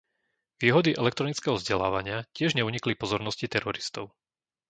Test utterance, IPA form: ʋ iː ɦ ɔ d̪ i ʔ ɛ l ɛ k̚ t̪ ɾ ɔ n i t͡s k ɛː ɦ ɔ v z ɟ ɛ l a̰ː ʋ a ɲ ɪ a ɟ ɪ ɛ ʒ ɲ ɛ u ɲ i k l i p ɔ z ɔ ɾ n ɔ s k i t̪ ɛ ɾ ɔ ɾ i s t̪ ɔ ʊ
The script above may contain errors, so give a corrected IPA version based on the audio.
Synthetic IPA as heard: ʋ iː ɦ ɔ d̪ i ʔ ɛ l ɛ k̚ t̪ ɾ ɔ n i t͡s k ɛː ɦ ɔ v z ɟ ɛ l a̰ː ʋ a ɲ ɪ a c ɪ ɛ ʒ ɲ ɛ u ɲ i k l i p ɔ z ɔ ɾ n ɔ s c i t̪ ɛ ɾ ɔ ɾ i s t̪ ɔ ʊ